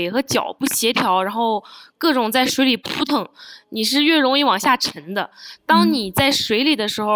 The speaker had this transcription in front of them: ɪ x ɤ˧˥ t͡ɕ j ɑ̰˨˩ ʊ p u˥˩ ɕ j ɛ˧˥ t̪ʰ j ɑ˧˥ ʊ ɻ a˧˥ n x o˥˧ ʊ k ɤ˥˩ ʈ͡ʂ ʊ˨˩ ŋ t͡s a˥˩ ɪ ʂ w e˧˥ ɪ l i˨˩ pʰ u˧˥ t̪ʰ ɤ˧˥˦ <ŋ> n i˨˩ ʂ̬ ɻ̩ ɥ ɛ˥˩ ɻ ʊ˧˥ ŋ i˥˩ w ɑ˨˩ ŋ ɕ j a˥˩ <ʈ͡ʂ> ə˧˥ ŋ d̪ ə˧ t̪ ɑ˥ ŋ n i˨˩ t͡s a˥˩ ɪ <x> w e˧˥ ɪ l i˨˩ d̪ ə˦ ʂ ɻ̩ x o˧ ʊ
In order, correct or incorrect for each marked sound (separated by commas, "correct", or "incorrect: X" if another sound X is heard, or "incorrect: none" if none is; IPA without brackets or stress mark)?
correct, incorrect: ʈ͡ʂʰ, incorrect: ʂ